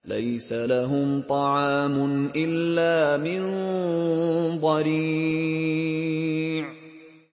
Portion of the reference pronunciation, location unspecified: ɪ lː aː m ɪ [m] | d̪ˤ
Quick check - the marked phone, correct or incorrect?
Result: incorrect